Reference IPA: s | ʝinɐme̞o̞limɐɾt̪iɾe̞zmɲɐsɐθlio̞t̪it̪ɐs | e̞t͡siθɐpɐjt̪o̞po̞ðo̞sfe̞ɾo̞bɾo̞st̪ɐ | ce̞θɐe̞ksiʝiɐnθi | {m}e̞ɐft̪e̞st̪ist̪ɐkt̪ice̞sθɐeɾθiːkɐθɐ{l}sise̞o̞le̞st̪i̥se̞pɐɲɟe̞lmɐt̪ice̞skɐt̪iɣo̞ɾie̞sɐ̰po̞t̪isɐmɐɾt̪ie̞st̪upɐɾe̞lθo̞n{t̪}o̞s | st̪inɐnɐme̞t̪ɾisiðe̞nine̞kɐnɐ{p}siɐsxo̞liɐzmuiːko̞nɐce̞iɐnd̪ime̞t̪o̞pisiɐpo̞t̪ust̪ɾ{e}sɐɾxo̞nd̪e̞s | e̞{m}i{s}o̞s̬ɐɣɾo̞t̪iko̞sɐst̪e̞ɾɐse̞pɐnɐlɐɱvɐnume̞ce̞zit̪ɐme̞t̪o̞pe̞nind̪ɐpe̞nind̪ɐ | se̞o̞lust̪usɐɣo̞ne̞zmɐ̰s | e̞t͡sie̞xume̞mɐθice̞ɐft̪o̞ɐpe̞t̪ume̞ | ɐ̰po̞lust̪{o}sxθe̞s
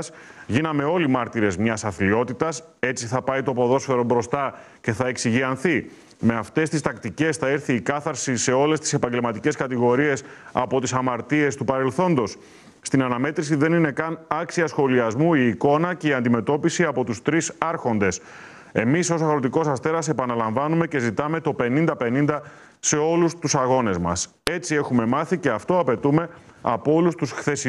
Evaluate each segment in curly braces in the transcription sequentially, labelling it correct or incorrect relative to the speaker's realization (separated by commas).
correct, incorrect, incorrect, incorrect, incorrect, correct, correct, incorrect